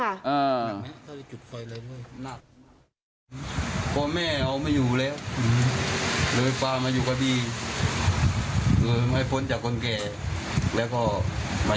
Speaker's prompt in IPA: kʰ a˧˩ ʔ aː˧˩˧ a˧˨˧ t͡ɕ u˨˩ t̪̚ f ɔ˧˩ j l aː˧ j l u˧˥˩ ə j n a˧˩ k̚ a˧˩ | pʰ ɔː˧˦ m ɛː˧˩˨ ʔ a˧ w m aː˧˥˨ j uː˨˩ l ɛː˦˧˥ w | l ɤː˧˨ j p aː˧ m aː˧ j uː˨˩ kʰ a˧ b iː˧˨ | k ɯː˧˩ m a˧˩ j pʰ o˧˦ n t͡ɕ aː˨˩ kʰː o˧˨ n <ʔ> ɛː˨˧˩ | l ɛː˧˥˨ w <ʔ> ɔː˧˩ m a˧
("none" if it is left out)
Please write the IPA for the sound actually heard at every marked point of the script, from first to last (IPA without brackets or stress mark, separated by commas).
k, k